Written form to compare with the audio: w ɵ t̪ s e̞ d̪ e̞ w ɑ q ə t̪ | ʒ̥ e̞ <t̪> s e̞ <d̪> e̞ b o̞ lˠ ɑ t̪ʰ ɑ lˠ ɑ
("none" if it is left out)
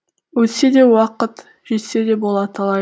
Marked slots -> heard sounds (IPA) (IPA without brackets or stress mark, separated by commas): t̪, d̪